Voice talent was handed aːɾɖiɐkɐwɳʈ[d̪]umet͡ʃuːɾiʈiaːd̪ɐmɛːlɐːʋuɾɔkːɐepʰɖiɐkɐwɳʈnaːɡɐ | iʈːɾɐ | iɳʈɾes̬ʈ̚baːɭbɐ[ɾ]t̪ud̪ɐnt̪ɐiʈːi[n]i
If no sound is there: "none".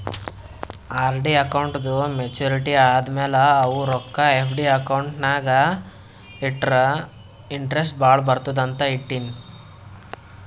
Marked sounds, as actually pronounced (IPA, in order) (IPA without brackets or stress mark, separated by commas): d̪, ɾ, n